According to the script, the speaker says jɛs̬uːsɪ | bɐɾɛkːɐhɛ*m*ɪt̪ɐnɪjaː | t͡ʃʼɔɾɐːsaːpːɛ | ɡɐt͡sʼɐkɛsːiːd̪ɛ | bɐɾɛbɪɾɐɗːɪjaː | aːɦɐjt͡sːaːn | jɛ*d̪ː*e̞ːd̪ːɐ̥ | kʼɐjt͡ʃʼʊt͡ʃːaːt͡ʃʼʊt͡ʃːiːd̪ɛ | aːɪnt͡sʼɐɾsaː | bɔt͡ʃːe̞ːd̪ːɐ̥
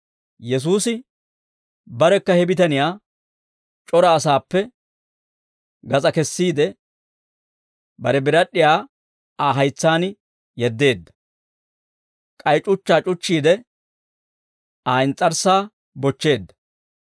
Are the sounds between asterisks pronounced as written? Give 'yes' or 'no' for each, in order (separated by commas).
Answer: no, yes